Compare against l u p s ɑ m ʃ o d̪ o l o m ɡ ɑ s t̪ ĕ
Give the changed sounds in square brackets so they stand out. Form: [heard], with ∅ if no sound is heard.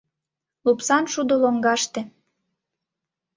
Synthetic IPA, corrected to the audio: l u p s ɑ [n] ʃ [u] d̪ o l o [ŋ] ɡ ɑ [ʃ] t̪ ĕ